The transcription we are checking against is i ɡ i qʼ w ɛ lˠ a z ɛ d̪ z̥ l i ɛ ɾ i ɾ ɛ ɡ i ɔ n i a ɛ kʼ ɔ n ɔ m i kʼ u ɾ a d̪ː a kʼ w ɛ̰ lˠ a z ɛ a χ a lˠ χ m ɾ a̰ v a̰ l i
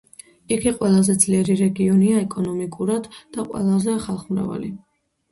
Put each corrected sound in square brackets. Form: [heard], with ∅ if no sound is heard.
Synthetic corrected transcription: i ɡ i qʼ w ɛ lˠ a z ɛ d̪ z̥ l i ɛ ɾ i ɾ ɛ ɡ i ɔ n i a ɛ kʼ ɔ n ɔ m i kʼ u ɾ a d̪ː a [qʼ] w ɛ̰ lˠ a z ɛ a χ a lˠ χ m ɾ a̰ v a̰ l i